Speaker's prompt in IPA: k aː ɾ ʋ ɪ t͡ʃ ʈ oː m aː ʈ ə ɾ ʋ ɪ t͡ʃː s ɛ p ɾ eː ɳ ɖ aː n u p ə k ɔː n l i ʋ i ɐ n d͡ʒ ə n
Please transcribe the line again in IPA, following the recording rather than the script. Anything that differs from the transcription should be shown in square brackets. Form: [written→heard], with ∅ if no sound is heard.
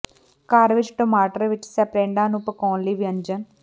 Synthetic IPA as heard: k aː ɾ ʋ ɪ t͡ʃ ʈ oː m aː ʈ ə ɾ ʋ ɪ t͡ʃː s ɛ p ɾ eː ɳ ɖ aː n u p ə k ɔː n l i ʋ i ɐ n d͡ʒ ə n